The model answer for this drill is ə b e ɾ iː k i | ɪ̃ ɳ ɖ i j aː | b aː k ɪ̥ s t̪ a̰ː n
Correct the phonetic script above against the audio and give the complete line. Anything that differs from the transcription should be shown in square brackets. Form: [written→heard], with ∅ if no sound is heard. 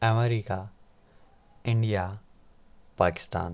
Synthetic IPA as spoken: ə [b→m] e ɾ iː k [i→a] | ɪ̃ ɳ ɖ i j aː | [b→p] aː k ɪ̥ s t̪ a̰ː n